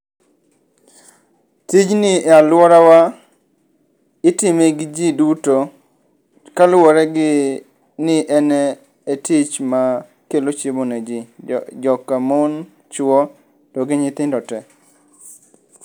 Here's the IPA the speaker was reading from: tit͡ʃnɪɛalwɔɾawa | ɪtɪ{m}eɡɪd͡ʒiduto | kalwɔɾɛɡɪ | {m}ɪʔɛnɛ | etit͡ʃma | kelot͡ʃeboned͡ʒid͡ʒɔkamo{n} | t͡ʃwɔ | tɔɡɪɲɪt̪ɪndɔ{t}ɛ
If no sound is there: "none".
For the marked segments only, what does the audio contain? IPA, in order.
m, n, n, t

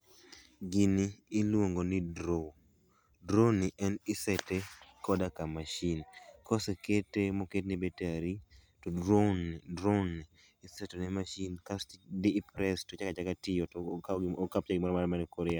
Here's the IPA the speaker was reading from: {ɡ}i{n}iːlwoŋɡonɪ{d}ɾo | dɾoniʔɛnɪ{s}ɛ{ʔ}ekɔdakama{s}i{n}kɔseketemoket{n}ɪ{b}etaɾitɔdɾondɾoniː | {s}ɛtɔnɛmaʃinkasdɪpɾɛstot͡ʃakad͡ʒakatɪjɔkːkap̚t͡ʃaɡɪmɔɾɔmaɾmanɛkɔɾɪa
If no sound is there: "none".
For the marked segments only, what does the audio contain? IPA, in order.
ɡ, n, d, s, t, ʃ, n, n, b, s

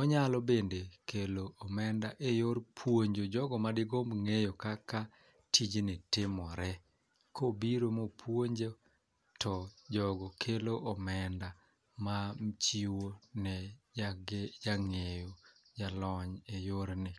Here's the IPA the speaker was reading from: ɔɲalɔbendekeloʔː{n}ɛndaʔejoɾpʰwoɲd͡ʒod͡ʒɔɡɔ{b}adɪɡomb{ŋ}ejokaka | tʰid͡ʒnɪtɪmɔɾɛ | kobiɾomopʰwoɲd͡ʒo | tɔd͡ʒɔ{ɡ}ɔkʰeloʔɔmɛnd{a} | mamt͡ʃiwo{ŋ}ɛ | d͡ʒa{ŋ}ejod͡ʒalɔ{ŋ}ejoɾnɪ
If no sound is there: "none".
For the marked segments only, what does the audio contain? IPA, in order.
m, m, ŋ, ɡ, a, n, ŋ, ɲ

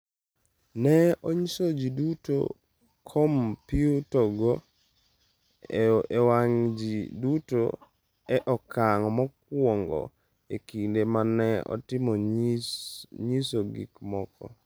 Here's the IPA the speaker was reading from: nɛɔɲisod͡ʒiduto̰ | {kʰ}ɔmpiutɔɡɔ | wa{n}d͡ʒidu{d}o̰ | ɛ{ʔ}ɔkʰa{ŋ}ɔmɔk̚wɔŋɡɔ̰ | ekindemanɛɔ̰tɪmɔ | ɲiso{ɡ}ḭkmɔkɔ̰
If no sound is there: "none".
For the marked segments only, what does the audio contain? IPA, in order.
kʰ, ŋ, t, ʔ, ŋ, ɡ

